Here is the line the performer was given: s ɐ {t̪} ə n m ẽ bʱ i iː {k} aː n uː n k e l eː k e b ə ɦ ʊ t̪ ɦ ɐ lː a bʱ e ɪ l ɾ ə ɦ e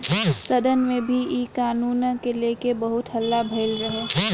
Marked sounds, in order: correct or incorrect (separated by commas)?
incorrect, correct